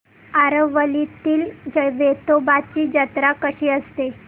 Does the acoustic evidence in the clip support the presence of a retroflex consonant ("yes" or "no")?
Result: no